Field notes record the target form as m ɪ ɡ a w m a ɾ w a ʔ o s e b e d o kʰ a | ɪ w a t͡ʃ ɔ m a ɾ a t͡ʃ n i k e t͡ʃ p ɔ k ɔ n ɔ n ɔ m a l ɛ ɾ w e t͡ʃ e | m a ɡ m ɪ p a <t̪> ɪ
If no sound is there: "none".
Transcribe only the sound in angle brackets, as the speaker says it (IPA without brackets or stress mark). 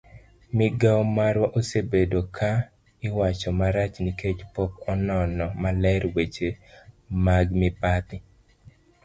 t̪